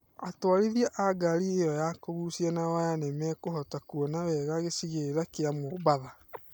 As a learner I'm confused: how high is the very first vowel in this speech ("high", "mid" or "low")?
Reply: low